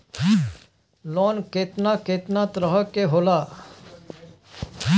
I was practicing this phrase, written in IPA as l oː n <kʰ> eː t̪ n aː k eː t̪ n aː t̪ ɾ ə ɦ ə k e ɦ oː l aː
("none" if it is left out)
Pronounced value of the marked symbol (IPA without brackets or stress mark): k